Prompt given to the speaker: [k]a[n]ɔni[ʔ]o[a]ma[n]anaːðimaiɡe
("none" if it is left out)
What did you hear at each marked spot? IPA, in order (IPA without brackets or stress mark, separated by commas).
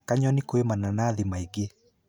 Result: k, ɲ, k, e, n